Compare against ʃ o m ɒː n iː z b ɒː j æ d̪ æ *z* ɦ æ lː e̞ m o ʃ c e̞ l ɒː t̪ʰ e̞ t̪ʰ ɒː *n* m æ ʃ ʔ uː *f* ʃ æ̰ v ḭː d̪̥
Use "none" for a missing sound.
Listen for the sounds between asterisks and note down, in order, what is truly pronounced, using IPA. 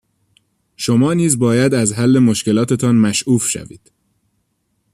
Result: z, n, f

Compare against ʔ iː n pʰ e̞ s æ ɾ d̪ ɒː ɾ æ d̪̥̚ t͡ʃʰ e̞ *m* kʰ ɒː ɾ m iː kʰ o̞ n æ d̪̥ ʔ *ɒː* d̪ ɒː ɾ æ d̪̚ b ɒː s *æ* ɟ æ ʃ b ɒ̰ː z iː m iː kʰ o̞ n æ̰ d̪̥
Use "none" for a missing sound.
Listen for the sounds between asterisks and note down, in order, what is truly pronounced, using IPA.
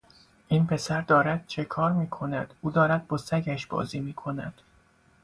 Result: none, uː, æ

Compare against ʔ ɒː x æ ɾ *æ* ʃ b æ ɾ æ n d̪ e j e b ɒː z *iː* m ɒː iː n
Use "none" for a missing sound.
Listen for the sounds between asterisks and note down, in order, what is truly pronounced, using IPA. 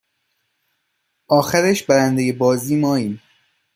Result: e, iː

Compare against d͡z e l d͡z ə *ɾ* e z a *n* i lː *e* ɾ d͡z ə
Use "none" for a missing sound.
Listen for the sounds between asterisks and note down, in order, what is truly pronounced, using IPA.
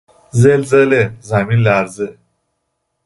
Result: l, m, a

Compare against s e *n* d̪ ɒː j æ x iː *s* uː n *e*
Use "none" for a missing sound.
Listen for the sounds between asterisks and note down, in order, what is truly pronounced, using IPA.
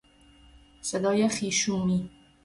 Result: none, ʃ, i

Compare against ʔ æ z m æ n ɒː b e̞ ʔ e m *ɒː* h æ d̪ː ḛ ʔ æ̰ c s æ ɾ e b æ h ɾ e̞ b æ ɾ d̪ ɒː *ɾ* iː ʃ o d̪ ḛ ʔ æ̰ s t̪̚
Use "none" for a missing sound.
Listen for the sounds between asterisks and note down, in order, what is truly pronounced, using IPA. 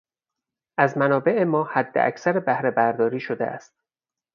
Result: ɒː, ɾ

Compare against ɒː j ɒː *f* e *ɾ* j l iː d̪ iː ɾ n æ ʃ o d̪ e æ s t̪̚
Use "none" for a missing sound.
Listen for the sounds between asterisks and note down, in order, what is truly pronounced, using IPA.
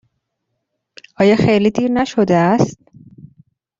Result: x, none

